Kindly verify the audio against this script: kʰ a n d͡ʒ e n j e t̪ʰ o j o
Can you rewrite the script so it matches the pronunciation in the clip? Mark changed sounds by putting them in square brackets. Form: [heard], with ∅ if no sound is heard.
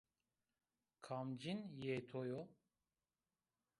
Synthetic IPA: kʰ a [m] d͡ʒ [i] n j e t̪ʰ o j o